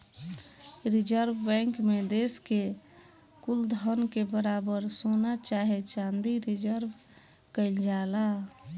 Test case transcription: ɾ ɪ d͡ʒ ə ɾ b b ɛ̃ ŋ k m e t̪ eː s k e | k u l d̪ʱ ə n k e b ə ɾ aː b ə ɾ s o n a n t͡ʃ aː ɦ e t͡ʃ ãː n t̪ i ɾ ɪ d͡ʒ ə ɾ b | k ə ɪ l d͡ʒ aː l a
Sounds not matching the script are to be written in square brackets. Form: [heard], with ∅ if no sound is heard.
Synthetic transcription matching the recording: ɾ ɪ d͡ʒ ə ɾ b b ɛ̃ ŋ k m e [d̪] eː s k e | k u l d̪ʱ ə n k e b ə ɾ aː b ə ɾ s o n a [∅] t͡ʃ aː ɦ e t͡ʃ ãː n [d̪] i ɾ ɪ d͡ʒ ə ɾ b | k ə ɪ l d͡ʒ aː l a